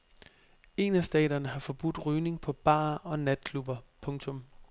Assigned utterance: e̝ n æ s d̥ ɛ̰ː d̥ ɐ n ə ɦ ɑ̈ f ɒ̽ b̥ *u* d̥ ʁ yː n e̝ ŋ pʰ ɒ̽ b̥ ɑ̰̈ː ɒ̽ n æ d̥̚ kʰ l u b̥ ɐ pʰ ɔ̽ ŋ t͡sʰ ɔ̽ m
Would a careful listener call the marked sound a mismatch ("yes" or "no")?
no